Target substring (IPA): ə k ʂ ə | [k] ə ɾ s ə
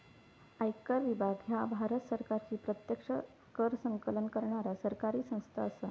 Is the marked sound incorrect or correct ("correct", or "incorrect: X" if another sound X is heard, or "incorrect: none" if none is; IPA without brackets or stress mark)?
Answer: correct